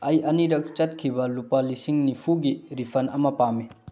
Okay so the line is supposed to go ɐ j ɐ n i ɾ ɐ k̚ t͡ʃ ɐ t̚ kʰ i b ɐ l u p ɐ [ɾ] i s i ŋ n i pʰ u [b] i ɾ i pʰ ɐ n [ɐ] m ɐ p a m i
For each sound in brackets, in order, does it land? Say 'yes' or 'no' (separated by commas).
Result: no, no, yes